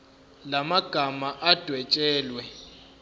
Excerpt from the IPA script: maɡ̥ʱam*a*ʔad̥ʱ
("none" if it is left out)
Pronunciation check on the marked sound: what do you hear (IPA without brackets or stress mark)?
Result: a